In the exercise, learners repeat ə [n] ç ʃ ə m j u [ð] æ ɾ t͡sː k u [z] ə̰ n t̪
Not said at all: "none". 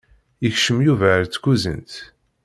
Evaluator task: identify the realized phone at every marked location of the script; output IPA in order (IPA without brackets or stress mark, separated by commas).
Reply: none, v, z